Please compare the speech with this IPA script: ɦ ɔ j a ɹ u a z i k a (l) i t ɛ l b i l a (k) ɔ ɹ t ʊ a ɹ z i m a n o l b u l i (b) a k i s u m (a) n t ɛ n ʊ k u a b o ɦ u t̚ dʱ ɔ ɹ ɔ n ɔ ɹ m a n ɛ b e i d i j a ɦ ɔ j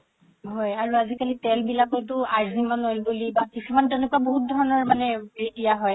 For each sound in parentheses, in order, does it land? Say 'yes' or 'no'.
yes, yes, yes, yes

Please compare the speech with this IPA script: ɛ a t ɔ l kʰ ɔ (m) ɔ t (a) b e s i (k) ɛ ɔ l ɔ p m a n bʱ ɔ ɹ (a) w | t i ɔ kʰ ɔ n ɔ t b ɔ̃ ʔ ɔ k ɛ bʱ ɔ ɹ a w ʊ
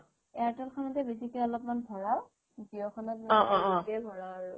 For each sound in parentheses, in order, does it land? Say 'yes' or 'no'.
no, no, yes, yes

